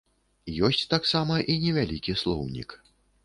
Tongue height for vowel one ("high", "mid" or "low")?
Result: mid